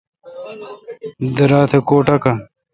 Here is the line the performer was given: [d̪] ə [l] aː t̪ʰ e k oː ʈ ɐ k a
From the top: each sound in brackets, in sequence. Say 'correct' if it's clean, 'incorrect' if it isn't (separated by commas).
correct, incorrect